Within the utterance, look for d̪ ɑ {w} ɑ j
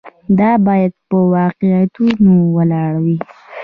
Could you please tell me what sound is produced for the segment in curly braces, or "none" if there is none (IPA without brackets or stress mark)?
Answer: b